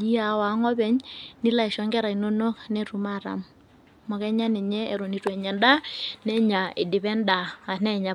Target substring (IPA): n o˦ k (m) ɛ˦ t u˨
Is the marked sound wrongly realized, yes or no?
yes